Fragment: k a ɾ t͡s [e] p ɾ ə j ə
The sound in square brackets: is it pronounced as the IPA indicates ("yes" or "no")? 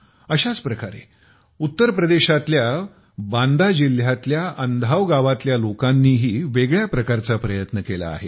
no